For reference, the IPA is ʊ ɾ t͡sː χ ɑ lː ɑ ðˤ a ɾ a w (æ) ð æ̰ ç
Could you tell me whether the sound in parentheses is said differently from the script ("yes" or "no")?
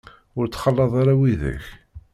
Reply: yes